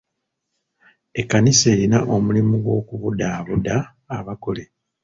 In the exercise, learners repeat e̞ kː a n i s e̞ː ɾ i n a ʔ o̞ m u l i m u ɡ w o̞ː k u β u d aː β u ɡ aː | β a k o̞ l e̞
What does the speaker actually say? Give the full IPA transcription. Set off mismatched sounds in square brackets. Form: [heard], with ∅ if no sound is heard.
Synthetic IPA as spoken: e̞ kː a n i s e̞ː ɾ i n a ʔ o̞ m u l i m u ɡ w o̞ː k u β u d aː β u [d] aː | β a k o̞ l e̞